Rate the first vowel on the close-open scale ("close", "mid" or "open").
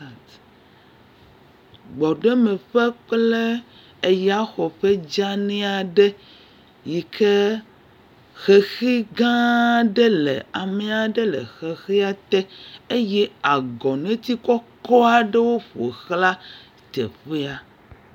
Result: mid